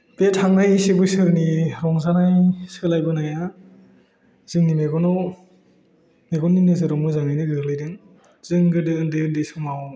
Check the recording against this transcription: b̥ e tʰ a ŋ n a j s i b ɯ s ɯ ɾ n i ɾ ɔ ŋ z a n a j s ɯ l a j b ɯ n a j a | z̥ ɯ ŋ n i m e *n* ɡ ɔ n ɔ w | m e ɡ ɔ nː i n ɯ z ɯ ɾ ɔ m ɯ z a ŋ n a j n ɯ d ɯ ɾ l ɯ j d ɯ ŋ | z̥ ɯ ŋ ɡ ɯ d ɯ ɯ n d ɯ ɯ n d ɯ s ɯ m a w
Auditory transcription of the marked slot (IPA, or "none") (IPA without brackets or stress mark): none